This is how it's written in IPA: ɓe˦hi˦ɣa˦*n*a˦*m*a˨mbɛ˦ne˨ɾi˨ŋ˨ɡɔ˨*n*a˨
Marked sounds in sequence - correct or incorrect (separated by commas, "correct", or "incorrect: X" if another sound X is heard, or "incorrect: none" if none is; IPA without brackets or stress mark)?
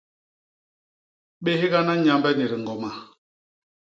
correct, incorrect: ɲ, incorrect: m